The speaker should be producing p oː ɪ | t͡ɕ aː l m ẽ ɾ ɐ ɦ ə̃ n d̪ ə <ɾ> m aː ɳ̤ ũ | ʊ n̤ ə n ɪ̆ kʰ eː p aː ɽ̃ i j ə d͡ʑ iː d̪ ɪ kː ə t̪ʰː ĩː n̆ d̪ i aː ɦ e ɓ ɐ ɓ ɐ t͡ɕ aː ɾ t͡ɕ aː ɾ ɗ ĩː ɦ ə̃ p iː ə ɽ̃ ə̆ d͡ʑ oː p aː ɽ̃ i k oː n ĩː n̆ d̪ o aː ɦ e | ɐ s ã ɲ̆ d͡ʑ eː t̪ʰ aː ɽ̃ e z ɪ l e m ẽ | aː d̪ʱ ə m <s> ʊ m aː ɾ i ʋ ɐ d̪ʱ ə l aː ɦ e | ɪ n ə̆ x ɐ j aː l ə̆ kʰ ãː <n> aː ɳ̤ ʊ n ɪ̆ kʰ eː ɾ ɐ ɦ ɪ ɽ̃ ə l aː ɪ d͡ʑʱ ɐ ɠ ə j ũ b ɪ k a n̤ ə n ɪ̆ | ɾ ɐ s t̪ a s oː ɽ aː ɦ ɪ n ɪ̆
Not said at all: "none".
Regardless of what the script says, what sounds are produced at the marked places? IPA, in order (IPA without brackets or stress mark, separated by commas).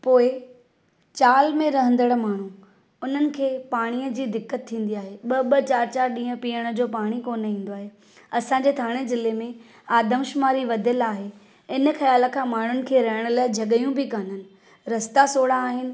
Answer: ɽ, ʃ, m